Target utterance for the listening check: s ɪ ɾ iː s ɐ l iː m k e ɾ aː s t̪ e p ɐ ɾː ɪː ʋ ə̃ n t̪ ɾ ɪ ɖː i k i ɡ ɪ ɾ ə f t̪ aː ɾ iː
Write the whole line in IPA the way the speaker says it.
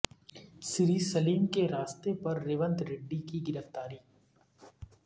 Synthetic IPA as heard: s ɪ ɾ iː s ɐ l iː m k e ɾ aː s t̪ e p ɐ ɾː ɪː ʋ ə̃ n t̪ ɾ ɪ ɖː i k i ɡ ɪ ɾ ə f t̪ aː ɾ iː